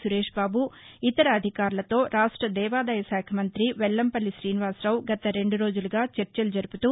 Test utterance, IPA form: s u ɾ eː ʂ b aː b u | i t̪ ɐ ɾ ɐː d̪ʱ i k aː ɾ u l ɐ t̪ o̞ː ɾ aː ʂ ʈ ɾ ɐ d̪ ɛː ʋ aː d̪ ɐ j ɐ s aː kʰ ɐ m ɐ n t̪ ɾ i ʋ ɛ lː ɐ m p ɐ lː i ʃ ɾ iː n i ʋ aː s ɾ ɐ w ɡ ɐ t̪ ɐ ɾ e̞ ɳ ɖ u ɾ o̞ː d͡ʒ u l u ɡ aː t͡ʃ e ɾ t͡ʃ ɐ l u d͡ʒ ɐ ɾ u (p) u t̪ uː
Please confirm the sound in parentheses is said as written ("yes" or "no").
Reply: yes